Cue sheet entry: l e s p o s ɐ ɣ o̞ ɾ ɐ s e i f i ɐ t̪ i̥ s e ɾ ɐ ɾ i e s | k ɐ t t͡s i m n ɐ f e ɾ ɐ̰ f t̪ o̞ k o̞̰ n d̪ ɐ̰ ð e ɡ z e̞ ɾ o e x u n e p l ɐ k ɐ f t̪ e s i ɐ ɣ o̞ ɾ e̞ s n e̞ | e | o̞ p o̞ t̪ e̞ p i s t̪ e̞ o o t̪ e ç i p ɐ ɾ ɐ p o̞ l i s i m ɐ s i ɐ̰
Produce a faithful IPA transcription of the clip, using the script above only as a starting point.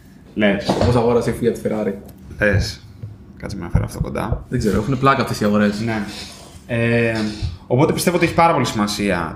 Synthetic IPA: l e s p o s ɐ ɣ o̞ ɾ ɐ s e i f i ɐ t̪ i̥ f e ɾ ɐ ɾ i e s | k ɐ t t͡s i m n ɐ f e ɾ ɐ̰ f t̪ o̞ k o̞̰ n d̪ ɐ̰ ð e ɡ z e̞ ɾ o e x u n e p l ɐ k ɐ f t̪ e s i ɐ ɣ o̞ ɾ e̞ s n e̞ | e | o̞ p o̞ t̪ e̞ p i s t̪ e̞ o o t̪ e ç i p ɐ ɾ ɐ p o̞ l i s i m ɐ s i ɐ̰